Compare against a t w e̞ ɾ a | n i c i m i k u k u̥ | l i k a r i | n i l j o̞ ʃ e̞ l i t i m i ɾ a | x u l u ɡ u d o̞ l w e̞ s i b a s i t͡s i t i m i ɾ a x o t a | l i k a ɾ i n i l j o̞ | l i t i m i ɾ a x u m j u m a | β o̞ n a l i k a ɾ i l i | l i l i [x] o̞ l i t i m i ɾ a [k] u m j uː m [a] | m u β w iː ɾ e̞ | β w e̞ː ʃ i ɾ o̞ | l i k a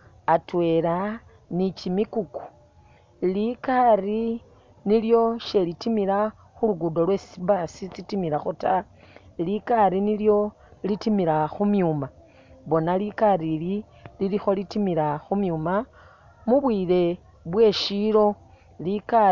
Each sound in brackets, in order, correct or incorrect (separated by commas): correct, incorrect, correct